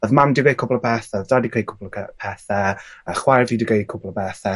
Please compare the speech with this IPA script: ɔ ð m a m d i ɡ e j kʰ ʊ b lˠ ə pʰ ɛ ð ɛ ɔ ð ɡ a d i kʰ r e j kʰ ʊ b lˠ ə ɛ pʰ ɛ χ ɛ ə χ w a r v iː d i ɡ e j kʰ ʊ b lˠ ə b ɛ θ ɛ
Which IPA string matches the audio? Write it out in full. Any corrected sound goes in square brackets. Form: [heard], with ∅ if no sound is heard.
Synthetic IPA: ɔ ð m a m d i ɡ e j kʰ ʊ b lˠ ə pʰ ɛ [θ] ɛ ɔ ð [d] a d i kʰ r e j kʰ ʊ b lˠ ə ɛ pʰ ɛ [θ] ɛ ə χ w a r v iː d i ɡ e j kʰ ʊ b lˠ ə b ɛ θ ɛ